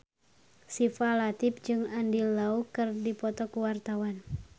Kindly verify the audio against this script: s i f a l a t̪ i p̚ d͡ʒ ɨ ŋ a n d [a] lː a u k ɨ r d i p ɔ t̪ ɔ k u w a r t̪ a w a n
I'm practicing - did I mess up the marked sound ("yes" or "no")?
yes